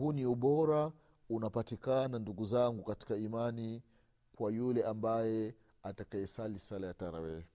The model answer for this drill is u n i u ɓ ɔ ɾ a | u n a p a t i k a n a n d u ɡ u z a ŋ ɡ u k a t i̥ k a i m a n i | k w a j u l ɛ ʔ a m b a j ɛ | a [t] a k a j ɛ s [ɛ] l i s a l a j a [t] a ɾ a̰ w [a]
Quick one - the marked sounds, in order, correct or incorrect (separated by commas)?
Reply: correct, incorrect, correct, incorrect